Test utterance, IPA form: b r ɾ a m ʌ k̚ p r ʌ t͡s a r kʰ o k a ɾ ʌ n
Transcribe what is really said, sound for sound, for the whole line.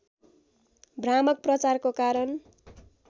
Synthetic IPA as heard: b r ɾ a m ʌ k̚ p r ʌ t͡s a r k o k a ɾ ʌ n